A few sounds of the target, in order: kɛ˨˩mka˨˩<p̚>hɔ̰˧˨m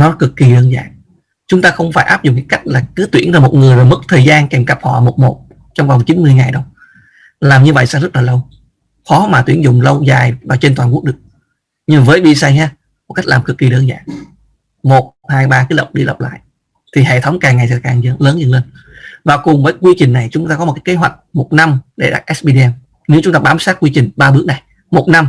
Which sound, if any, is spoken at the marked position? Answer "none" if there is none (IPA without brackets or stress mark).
p̚